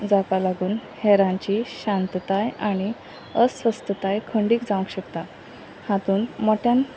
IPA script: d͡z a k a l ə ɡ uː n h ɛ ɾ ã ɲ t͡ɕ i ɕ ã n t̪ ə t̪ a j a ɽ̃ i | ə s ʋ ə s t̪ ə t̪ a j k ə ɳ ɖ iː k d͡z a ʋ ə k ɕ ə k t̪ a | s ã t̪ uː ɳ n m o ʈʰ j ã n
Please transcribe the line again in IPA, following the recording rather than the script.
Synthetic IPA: d͡z a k a l a ɡ uː n h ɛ ɾ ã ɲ t͡ɕ i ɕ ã n t̪ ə t̪ a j a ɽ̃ i | ə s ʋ ə s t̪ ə t̪ a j kʰ ə ɳ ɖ iː k d͡z a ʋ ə k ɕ ə k t̪ a | h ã t̪ uː n m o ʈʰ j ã n